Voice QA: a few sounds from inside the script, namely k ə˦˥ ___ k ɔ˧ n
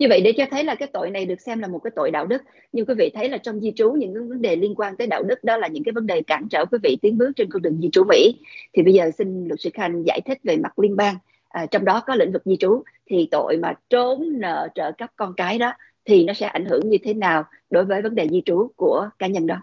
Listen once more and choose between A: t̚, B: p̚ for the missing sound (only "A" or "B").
B